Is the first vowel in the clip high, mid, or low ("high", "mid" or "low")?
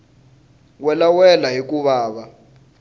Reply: mid